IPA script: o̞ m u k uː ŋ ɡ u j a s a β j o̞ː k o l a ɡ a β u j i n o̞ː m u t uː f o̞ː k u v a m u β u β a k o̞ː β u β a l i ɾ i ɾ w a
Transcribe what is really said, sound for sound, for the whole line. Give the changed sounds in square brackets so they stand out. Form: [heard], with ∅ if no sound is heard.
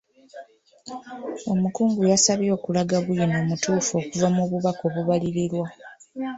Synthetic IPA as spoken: o̞ m u k uː ŋ ɡ u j a s a β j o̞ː k [u] l a ɡ a β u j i n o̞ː m u t uː f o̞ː k u v a m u β u β a k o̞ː β u β a l i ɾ i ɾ w a